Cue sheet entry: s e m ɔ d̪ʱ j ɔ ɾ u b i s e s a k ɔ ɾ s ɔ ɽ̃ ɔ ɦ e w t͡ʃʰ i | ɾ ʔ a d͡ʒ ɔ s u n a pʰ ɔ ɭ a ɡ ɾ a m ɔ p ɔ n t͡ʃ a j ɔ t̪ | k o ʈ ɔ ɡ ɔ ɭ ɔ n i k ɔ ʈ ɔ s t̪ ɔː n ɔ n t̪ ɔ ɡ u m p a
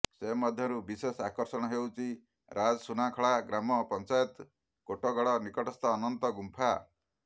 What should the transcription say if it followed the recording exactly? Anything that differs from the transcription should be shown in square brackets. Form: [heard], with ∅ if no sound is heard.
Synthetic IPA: s e m ɔ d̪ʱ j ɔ ɾ u b i s e s a k ɔ ɾ s ɔ ɽ̃ ɔ ɦ e w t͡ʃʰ i | ɾ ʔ a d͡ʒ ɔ s u n a [kʰ] ɔ ɭ a ɡ ɾ a m ɔ p ɔ n t͡ʃ a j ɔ t̪ | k o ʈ ɔ ɡ ɔ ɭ ɔ n i k ɔ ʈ ɔ s t̪ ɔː n ɔ n t̪ ɔ ɡ u m [pʰ] a

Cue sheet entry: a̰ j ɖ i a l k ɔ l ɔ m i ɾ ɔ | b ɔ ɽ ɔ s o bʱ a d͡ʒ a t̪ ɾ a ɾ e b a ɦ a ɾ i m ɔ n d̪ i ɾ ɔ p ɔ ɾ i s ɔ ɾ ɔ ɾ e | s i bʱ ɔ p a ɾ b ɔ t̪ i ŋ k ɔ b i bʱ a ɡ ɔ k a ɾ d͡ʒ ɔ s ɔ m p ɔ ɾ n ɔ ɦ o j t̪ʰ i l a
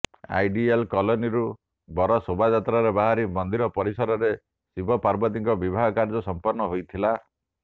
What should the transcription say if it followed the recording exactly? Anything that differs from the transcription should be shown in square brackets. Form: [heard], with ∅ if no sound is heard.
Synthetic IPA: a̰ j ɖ i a l k ɔ l ɔ [n] i ɾ [u] | b ɔ [ɾ] ɔ s o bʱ a d͡ʒ a t̪ ɾ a ɾ e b a ɦ a ɾ i m ɔ n d̪ i ɾ ɔ p ɔ ɾ i s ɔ ɾ ɔ ɾ e | s i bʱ ɔ p a ɾ b ɔ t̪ i ŋ k ɔ b i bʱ a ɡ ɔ k a ɾ d͡ʒ ɔ s ɔ m p ɔ ɾ n ɔ ɦ o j t̪ʰ i l a

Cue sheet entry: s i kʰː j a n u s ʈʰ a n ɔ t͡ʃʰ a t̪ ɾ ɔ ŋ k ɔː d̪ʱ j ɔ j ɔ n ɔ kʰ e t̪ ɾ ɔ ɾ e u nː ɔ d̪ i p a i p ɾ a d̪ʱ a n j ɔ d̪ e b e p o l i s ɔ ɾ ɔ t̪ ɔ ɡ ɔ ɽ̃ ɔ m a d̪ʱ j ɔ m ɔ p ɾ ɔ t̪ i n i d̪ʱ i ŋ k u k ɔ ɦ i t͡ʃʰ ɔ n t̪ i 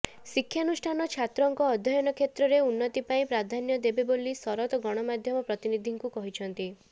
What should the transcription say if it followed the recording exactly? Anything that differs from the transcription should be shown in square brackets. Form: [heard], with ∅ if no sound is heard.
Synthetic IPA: s i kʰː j a n u s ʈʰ a n ɔ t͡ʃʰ a t̪ ɾ ɔ ŋ k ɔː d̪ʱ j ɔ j ɔ n ɔ kʰ e t̪ ɾ ɔ ɾ e u nː ɔ [t̪] i p a [ĩ] p ɾ a d̪ʱ a n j ɔ d̪ e b e [b] o l i s ɔ ɾ ɔ t̪ ɔ ɡ ɔ ɽ̃ ɔ m a d̪ʱ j ɔ m ɔ p ɾ ɔ t̪ i n i d̪ʱ i ŋ k u k ɔ ɦ i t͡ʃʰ ɔ n t̪ i

